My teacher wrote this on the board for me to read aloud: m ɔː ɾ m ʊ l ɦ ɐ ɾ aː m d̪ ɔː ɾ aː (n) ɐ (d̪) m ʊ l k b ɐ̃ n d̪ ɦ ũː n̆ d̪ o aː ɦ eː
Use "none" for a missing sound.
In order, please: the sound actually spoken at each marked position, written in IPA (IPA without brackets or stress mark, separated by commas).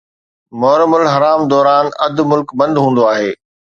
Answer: n, d̪